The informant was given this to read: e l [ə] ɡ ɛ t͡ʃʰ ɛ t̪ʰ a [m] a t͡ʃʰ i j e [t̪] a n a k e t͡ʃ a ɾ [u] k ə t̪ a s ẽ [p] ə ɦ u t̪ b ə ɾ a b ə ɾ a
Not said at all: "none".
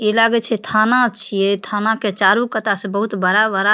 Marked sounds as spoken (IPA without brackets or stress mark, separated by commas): a, n, t̪ʰ, u, b